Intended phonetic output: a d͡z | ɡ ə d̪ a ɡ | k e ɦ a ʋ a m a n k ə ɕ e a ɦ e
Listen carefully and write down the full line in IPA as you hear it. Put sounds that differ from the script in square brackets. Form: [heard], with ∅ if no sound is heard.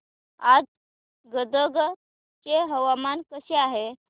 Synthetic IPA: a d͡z | ɡ ə d̪ [ə] ɡ | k e ɦ [ə] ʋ a m a n k ə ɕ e a ɦ e